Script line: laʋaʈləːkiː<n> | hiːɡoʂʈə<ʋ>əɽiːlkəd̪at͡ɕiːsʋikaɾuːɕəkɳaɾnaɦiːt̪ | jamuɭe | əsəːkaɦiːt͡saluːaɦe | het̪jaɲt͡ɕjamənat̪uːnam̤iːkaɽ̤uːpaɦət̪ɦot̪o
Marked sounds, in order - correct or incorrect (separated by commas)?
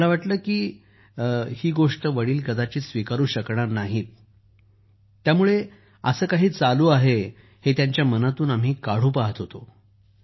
incorrect, correct